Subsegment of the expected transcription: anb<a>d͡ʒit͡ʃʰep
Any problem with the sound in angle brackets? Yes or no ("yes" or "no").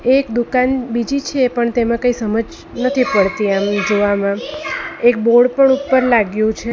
yes